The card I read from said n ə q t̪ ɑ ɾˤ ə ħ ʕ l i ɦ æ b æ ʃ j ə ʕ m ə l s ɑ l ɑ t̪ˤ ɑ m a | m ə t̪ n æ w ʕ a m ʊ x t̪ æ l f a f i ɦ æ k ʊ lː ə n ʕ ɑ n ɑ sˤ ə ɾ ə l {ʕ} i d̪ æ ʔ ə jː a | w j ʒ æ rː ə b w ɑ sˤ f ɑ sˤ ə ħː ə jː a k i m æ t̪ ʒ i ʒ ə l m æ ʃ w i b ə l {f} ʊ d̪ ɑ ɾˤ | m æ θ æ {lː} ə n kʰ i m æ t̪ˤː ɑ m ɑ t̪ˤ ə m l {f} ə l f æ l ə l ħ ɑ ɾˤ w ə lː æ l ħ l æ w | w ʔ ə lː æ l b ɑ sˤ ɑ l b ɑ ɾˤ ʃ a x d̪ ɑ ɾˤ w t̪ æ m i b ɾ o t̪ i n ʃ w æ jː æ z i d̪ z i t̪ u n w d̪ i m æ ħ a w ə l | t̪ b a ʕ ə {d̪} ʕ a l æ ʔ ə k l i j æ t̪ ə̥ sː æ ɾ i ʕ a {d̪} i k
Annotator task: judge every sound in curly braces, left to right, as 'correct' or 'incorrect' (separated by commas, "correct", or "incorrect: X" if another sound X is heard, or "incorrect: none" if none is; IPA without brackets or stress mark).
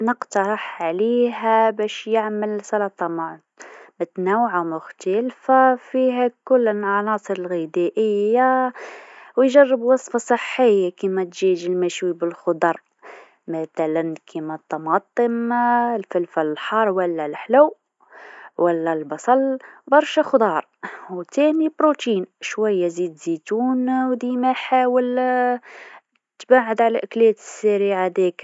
incorrect: ɣ, incorrect: x, incorrect: l, correct, correct, correct